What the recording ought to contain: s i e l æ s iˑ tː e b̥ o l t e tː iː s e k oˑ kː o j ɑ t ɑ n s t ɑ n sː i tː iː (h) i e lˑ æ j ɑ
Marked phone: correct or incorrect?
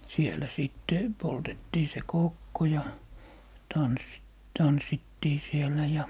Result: incorrect